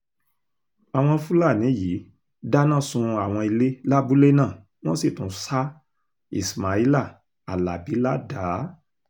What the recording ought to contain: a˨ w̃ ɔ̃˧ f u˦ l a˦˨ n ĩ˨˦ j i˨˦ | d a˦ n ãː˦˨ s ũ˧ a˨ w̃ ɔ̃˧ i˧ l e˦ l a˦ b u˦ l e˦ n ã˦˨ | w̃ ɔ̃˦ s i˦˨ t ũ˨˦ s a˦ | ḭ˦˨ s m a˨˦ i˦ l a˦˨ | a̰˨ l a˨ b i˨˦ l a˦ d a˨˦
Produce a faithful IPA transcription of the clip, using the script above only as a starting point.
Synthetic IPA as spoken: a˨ w̃ ɔ̃˧ f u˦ l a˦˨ n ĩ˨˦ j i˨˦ | d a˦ n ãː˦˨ s ũ˧ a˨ w̃ ɔ̃˧ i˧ l e˦ l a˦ b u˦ l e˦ n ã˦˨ | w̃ ɔ̃˦ s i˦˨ t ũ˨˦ s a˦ | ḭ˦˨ s m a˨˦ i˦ l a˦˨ | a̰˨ l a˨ b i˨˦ l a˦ d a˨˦